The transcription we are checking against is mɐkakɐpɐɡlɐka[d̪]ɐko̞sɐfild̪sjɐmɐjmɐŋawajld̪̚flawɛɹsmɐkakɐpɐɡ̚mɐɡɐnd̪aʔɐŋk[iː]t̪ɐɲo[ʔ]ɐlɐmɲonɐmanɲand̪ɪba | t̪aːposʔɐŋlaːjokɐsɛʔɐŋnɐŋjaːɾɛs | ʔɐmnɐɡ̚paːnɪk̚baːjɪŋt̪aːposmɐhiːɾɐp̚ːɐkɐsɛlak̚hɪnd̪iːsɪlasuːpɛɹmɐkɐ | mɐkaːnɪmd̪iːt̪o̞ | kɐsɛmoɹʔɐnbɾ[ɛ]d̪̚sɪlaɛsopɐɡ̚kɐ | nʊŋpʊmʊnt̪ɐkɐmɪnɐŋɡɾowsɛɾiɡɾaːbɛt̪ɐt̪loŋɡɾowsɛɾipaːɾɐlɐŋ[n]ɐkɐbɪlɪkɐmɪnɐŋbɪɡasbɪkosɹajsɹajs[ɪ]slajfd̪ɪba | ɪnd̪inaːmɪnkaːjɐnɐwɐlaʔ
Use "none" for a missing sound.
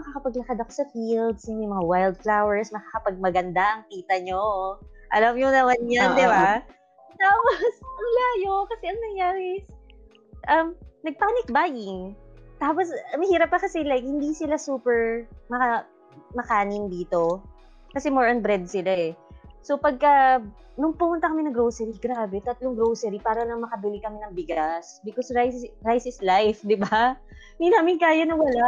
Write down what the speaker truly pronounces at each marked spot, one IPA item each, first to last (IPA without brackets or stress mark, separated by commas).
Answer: d̪, iː, ʔ, ɛ, m, ɪ